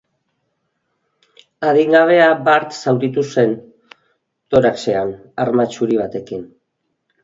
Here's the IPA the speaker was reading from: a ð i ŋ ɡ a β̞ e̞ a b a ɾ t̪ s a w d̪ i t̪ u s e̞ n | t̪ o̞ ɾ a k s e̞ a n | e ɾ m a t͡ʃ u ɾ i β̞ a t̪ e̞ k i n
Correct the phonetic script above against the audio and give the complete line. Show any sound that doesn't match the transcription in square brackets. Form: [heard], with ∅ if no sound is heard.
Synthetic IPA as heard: a ð i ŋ ɡ a β̞ e̞ a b a ɾ t̪ s a w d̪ i t̪ u s e̞ n | t̪ o̞ ɾ a k s e̞ a n | [a] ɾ m a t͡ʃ u ɾ i β̞ a t̪ e̞ k i n